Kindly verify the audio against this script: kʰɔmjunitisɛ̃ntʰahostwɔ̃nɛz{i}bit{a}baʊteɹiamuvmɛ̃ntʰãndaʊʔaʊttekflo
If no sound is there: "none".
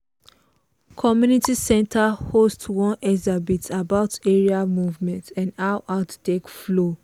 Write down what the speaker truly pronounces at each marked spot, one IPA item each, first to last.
a, a

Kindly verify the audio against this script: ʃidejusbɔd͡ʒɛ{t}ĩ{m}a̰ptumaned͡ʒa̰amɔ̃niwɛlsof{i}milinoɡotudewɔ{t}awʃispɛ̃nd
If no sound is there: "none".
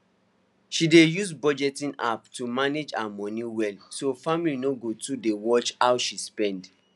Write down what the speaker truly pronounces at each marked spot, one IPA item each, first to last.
t, n, a, t͡ʃ

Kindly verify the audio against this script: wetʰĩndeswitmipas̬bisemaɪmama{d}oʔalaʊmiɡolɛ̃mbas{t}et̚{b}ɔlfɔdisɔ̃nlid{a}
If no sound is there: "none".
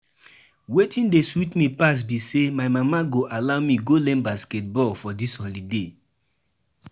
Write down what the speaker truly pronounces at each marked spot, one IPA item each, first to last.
ɡ, k, b, e

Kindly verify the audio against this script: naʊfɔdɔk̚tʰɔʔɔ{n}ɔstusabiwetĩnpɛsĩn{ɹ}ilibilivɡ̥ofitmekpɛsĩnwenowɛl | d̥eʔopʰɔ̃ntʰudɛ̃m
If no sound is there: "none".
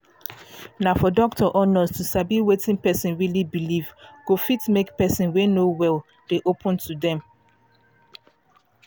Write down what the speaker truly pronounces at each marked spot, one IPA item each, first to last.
n, ɹ

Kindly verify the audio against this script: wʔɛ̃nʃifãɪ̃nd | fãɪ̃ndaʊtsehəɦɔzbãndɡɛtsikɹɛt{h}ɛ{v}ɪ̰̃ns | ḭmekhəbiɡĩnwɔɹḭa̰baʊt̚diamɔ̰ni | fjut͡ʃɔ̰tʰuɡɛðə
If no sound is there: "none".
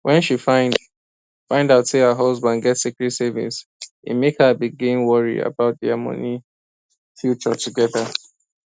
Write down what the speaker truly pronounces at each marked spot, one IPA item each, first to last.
s, v

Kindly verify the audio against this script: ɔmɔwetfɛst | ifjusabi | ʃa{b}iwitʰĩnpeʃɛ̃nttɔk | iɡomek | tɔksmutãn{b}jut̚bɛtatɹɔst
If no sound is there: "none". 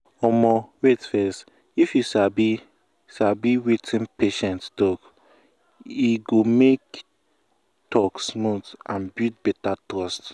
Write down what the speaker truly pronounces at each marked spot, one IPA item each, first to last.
b, b

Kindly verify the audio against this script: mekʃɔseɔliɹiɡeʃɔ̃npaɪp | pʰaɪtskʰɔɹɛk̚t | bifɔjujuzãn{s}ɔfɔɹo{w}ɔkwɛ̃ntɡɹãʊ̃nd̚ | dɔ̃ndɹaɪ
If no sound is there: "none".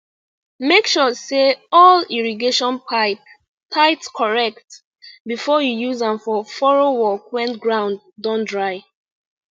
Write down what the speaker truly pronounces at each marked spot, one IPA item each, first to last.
f, w

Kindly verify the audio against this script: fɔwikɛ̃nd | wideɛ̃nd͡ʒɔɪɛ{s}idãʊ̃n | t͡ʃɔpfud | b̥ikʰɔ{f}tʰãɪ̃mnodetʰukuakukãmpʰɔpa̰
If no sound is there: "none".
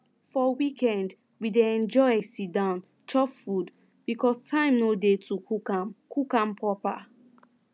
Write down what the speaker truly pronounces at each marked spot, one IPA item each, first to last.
s, s

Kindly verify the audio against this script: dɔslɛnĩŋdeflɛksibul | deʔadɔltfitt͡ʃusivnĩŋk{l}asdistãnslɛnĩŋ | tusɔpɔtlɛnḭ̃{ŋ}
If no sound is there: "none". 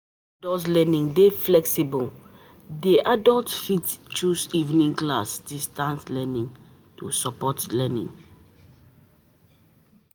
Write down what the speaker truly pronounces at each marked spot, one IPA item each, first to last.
l, ŋ

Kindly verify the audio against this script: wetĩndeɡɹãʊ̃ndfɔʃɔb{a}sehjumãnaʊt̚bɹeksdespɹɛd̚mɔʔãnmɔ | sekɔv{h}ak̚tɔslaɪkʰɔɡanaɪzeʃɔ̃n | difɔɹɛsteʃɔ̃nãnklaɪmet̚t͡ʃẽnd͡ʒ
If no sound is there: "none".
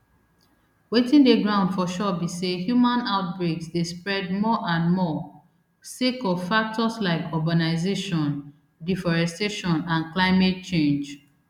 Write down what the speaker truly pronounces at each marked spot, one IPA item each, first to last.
i, f

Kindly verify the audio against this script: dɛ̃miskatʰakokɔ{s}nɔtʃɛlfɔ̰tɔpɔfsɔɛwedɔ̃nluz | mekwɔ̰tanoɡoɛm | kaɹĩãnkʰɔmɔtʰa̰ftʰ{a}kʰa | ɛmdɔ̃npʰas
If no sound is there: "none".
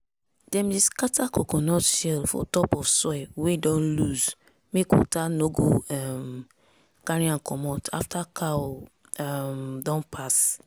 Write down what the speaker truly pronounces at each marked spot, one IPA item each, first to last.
none, a

